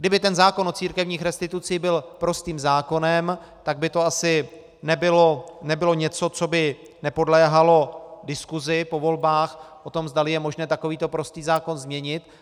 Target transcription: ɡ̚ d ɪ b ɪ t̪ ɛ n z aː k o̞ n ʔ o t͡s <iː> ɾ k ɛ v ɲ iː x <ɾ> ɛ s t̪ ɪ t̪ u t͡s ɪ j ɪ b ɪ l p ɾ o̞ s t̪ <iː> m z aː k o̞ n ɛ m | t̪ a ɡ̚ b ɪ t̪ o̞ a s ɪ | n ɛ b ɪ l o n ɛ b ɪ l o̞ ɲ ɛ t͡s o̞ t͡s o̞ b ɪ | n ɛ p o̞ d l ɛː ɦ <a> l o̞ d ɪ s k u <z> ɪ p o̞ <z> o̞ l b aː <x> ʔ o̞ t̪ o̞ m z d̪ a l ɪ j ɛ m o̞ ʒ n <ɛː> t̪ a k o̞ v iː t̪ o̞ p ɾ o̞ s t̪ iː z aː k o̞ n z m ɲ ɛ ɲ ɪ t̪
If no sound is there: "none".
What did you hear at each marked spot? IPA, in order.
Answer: iː, ɾ, iː, a, z, v, x, ɛː

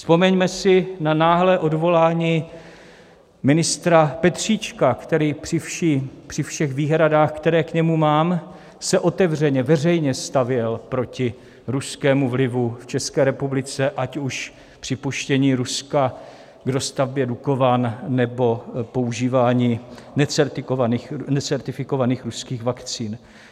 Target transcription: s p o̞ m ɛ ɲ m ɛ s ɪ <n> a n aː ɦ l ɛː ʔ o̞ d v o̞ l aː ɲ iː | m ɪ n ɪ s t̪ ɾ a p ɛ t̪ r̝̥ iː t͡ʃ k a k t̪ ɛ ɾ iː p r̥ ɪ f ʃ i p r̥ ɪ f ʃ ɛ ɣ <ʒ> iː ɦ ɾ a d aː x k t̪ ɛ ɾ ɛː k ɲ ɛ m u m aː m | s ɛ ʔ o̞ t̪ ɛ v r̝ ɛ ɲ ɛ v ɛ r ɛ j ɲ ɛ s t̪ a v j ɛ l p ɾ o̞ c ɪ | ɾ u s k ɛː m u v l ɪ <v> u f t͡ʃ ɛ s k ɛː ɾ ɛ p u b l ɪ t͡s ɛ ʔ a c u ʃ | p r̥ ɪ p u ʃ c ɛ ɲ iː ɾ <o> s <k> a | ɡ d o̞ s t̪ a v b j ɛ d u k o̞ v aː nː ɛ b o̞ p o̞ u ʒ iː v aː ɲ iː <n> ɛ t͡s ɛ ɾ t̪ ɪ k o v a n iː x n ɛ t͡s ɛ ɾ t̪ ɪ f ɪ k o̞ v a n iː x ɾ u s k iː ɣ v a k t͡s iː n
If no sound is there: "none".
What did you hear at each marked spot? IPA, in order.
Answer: n, v, v, u, k, n

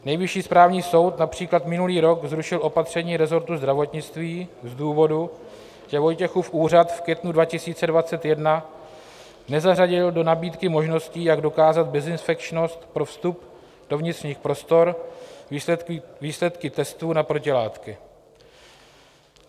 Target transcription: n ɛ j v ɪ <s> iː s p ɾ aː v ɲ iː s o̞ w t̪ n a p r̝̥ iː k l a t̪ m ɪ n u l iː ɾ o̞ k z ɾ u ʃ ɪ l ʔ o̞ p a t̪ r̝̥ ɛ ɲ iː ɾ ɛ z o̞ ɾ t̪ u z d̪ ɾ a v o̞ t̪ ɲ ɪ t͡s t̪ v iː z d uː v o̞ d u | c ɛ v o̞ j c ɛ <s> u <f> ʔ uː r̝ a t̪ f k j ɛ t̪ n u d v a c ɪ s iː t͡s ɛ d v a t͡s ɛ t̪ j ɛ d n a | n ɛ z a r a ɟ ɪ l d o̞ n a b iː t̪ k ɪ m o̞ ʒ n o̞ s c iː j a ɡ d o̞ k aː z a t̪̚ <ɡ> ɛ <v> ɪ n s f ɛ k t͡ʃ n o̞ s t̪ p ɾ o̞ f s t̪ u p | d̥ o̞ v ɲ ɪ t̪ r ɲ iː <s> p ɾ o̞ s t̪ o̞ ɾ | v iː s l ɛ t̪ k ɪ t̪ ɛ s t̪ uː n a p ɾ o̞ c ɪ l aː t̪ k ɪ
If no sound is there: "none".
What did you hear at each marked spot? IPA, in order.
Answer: ʃ, x, f, b, z, x

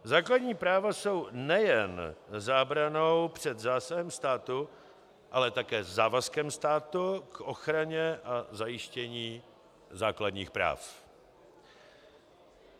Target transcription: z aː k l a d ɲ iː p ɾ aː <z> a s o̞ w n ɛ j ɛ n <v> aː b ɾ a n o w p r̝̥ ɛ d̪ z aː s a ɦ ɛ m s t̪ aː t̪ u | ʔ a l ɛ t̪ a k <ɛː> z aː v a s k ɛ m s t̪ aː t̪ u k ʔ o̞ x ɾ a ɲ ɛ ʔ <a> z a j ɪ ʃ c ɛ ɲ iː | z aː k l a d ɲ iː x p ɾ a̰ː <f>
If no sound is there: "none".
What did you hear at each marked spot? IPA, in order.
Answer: v, z, ɛː, a, f

